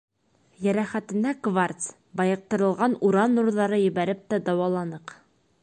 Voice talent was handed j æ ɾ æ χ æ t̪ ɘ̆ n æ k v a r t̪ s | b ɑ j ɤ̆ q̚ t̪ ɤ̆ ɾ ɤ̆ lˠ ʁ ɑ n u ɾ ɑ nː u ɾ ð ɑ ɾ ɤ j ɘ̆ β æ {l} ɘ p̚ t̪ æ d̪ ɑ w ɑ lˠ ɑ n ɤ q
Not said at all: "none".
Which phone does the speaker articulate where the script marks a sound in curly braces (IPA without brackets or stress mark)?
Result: ɾ